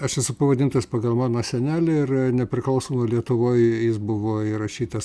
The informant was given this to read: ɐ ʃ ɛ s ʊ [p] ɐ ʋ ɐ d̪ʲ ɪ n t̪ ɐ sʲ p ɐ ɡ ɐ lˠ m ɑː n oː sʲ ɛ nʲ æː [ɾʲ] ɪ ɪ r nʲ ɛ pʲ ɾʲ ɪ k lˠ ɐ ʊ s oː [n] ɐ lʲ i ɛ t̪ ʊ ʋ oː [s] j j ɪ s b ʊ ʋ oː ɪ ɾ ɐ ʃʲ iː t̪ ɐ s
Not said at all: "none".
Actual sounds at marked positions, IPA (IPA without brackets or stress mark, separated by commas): p, lʲ, m, none